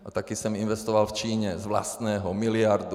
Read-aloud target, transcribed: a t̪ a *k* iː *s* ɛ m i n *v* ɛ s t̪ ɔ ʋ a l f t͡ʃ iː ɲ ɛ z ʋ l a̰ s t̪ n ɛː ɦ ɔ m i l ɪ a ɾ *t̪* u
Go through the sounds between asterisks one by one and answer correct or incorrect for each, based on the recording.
correct, correct, incorrect, incorrect

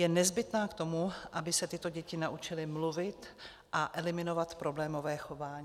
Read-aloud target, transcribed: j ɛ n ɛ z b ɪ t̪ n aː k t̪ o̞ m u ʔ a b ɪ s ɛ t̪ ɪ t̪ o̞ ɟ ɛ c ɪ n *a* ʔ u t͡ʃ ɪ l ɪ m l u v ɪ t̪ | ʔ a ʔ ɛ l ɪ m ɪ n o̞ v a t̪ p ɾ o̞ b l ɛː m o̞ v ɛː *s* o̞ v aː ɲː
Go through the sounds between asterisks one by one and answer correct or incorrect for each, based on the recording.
correct, incorrect

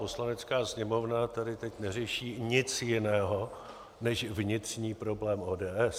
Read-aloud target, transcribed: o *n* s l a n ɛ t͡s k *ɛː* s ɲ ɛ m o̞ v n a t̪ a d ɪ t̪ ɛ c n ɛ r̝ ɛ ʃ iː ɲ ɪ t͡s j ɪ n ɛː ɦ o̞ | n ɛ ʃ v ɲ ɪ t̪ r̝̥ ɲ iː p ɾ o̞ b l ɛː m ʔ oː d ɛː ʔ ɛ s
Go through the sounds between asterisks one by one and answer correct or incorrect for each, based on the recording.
incorrect, incorrect

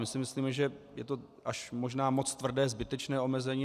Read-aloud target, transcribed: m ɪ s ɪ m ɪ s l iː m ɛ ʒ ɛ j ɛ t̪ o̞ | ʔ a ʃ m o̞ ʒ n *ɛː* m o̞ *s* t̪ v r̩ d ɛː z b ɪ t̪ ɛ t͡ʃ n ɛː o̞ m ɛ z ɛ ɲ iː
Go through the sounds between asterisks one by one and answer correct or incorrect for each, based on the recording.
incorrect, incorrect

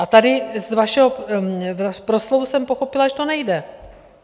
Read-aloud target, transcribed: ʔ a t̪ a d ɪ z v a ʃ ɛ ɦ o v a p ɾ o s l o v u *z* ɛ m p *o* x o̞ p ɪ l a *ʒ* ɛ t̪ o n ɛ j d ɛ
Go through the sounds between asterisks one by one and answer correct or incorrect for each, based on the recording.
incorrect, correct, correct

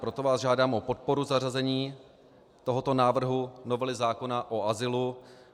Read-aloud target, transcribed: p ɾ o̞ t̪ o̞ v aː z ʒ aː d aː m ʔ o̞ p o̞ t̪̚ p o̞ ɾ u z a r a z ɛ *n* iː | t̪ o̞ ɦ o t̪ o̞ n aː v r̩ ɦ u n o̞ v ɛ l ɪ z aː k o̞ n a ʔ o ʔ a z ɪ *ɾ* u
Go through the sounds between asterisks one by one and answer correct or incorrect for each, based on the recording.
incorrect, incorrect

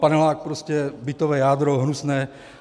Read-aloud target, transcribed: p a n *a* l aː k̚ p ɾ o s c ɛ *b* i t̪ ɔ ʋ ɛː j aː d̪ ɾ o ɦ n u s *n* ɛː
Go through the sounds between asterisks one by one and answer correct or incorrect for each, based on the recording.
incorrect, correct, correct

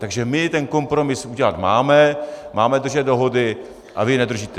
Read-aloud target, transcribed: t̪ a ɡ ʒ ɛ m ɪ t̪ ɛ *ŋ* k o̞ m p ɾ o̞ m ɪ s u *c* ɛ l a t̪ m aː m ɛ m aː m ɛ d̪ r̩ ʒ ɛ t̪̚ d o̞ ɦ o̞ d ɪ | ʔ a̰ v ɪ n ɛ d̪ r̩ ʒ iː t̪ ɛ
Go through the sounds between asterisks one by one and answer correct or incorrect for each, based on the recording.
incorrect, incorrect

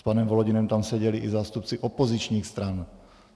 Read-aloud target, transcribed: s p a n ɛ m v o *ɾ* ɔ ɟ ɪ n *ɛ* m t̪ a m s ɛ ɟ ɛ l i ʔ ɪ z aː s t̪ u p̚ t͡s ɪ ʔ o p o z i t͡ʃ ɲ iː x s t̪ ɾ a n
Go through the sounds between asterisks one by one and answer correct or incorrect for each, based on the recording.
incorrect, correct

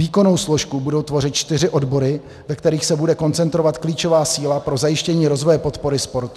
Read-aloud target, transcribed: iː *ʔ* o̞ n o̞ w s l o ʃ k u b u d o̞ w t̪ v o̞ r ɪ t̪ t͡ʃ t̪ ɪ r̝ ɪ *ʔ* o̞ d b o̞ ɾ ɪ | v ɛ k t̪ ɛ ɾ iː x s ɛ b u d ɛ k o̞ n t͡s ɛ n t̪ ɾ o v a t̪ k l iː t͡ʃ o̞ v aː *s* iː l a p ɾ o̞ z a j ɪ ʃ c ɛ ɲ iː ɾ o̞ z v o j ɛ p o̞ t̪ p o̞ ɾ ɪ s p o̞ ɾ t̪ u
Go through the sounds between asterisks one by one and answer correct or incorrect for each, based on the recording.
incorrect, correct, correct

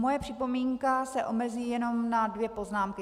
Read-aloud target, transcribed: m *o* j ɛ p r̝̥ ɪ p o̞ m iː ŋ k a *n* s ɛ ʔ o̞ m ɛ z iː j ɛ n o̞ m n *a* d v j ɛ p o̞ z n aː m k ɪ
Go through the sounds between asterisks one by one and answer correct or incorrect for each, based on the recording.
correct, incorrect, correct

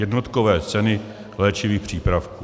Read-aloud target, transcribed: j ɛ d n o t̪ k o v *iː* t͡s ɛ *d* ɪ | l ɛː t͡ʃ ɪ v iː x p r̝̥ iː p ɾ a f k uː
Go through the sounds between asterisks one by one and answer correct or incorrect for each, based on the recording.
incorrect, incorrect

